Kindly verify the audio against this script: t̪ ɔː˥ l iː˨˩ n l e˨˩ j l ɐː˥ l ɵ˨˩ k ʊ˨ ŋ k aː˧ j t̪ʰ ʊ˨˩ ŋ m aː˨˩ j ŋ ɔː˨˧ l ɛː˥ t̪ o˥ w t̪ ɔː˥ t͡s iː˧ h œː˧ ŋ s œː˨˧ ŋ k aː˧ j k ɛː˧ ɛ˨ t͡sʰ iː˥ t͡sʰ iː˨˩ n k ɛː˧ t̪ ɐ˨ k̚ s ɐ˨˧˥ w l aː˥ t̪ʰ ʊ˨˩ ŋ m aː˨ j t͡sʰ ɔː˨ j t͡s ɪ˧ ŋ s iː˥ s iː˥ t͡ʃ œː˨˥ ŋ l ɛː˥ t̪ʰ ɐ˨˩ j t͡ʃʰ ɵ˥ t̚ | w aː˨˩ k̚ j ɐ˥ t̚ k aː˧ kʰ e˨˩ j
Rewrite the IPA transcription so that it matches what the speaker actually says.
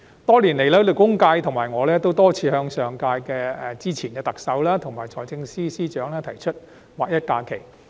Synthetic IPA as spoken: t̪ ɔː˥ l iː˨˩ n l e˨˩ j l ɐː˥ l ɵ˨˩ k ʊ˥ ŋ k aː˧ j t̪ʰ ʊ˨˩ ŋ m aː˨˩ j ŋ ɔː˨˧ l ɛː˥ t̪ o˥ w t̪ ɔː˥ t͡sʰ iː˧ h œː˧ ŋ s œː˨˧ ŋ k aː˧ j k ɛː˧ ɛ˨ t͡s iː˥ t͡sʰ iː˨˩ n k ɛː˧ t̪ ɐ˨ k̚ s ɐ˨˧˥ w l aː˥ t̪ʰ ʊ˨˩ ŋ m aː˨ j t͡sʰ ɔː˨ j t͡s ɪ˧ ŋ s iː˥ s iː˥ t͡ʃ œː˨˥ ŋ l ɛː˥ t̪ʰ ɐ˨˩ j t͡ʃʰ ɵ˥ t̚ | w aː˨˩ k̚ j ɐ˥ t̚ k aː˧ kʰ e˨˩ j

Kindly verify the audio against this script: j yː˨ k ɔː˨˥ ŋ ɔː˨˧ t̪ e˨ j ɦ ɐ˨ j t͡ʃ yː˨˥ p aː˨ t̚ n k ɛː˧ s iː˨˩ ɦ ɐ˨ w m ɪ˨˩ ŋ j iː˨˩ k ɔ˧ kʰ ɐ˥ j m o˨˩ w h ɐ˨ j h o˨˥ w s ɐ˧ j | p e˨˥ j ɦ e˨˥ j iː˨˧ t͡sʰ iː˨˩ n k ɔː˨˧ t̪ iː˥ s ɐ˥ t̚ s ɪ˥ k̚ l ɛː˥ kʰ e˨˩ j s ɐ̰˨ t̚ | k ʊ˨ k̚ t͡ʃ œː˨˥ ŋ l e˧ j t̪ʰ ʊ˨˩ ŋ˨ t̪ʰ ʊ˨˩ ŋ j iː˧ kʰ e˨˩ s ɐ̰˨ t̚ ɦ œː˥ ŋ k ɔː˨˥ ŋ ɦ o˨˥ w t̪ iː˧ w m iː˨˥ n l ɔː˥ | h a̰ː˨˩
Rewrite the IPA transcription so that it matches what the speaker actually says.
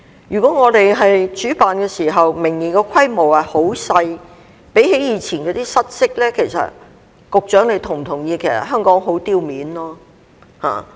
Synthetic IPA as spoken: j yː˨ k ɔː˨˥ ŋ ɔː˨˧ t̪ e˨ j ɦ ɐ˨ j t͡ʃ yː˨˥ p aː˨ n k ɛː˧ s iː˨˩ ɦ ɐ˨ w m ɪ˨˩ ŋ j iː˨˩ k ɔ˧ kʰ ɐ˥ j m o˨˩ w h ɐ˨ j h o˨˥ w s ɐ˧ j | p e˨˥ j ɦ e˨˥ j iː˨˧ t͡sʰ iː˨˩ n k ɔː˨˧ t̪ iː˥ s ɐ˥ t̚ s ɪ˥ k̚ l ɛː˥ kʰ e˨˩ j s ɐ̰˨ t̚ | k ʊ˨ k̚ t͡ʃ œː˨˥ ŋ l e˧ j t̪ʰ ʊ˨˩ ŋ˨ t̪ʰ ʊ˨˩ ŋ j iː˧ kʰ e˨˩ s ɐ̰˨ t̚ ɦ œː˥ ŋ k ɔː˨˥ ŋ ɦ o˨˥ w t̪ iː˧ w m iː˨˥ n l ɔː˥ | h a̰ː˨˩

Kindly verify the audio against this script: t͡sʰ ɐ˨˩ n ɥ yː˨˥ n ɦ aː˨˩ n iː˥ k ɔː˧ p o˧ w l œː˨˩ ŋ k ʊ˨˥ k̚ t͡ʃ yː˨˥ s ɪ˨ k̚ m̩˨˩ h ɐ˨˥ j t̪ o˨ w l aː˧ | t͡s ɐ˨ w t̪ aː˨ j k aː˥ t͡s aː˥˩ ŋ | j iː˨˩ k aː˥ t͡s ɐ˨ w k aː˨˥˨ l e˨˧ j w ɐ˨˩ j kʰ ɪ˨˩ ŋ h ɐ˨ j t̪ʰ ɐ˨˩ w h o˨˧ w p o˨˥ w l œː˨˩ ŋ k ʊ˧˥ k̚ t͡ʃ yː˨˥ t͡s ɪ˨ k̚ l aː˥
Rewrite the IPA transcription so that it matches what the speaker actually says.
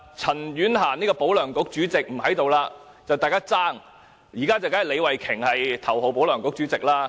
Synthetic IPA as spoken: t͡sʰ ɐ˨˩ n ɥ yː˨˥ n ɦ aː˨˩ n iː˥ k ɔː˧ p o˨˥ w l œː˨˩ ŋ k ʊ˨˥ k̚ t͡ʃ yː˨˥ t͡s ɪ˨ k̚ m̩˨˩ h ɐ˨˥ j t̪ o˨ w l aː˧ | t͡s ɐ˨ w t̪ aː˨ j k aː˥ t͡s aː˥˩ ŋ | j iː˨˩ k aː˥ t͡s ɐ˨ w k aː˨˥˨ l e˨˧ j w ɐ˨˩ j kʰ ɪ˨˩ ŋ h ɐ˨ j t̪ʰ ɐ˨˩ w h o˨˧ w p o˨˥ w l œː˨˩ ŋ k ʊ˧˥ k̚ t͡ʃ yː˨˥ t͡s ɪ˨ k̚ l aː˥

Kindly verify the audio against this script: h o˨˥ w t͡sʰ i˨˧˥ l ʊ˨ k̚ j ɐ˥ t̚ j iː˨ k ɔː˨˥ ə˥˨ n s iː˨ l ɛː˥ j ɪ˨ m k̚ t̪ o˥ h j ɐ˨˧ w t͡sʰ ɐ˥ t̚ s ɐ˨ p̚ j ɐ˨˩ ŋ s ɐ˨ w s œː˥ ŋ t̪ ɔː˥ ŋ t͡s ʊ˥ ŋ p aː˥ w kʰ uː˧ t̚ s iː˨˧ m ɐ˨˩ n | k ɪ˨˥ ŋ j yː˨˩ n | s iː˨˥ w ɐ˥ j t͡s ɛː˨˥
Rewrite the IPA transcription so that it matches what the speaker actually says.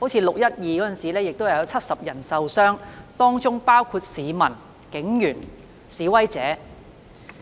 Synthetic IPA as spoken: h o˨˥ w t͡sʰ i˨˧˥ l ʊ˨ k̚ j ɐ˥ t̚ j iː˨ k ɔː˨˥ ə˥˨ n s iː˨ l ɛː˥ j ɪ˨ k̚ t̪ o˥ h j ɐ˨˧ w t͡sʰ ɐ˥ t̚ s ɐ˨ p̚ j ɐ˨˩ n s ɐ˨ w s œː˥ ŋ t̪ ɔː˥ ŋ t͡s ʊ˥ ŋ p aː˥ w kʰ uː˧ t̚ s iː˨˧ m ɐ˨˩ n | k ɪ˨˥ ŋ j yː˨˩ n | s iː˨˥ w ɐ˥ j t͡s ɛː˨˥

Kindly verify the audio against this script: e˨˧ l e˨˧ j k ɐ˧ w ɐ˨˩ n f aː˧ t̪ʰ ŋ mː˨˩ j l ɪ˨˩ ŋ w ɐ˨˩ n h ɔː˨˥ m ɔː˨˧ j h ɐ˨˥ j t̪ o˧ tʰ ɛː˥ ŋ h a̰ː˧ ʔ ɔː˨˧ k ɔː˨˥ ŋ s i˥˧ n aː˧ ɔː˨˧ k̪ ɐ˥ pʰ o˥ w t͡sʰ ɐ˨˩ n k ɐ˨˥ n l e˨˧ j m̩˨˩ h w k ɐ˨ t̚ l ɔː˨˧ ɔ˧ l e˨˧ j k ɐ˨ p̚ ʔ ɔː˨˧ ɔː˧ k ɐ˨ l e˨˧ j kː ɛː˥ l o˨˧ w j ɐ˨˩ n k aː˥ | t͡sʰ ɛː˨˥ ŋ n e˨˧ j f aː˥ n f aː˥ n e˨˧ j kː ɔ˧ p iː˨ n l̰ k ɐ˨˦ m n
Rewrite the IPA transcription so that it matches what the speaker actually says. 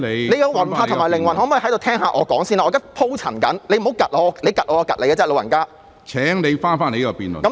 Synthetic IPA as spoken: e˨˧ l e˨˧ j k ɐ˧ w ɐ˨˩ n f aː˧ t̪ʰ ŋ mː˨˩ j l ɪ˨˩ ŋ w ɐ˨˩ n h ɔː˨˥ m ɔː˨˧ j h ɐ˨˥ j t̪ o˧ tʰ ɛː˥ ŋ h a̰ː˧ ʔ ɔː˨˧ k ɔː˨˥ ŋ s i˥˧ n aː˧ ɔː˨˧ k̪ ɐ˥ pʰ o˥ w t͡sʰ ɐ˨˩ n k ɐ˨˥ n l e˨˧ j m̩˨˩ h w k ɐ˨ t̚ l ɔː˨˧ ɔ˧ l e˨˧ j k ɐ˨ t̚ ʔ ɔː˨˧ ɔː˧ k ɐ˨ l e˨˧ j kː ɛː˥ l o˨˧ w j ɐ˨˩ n k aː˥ | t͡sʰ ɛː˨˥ ŋ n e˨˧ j f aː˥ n f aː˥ n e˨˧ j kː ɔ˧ p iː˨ n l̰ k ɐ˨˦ m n

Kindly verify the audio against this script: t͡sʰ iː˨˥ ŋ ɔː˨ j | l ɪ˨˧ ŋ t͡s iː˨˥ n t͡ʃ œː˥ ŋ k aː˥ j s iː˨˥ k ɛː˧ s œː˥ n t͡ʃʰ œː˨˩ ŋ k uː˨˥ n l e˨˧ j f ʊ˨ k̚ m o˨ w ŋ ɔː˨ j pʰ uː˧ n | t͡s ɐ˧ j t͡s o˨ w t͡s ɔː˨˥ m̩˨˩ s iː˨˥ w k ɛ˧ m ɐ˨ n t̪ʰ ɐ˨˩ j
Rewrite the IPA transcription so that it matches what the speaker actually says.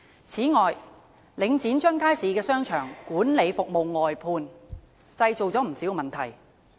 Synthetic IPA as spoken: t͡sʰ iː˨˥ ŋ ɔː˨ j | l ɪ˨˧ ŋ t͡s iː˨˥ n t͡ʃ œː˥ ŋ k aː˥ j s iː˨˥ k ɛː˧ s œː˥ ŋ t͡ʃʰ œː˨˩ ŋ k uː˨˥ n l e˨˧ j f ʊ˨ k̚ m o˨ w ŋ ɔː˨ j pʰ uː˧ n | t͡s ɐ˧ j t͡s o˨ w t͡s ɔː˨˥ m̩˨˩ s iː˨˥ w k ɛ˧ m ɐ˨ n t̪ʰ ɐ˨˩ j

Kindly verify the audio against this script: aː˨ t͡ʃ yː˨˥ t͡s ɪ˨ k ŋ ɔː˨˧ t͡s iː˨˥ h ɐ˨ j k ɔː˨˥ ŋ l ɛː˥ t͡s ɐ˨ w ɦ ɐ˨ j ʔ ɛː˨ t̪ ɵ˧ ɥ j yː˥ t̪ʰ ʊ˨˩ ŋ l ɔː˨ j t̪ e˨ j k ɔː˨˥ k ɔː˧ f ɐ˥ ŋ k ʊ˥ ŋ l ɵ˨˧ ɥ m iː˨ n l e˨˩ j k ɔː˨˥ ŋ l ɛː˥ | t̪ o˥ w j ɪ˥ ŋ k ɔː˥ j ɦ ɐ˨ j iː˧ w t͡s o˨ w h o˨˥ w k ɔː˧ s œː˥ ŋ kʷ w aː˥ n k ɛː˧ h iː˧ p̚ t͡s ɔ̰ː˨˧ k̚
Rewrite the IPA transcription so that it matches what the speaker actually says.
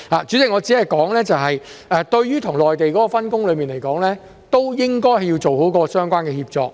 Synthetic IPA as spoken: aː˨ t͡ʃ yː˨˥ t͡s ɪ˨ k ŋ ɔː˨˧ t͡s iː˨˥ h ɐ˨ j k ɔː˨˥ ŋ l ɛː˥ t͡s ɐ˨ w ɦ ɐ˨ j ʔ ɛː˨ t̪ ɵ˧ ɥ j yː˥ t̪ʰ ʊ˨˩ ŋ l ɔː˨ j t̪ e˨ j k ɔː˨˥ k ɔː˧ f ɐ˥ n k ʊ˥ ŋ l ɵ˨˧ ɥ m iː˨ n l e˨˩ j k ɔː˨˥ ŋ l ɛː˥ | t̪ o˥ w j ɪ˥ ŋ k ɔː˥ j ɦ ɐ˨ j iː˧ w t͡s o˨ w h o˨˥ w k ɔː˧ s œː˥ ŋ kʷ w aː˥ n k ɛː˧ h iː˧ p̚ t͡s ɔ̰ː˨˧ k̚

